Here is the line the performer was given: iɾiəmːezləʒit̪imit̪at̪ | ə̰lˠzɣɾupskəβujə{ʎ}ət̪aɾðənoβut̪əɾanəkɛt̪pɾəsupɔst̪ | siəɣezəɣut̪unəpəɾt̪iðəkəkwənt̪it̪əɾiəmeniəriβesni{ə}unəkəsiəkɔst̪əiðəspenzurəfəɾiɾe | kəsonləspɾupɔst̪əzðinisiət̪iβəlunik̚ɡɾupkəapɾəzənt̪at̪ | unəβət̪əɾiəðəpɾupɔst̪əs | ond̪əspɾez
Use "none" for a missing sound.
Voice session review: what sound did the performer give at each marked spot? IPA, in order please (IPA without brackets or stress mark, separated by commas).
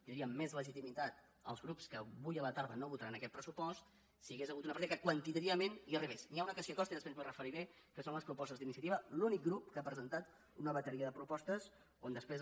l, a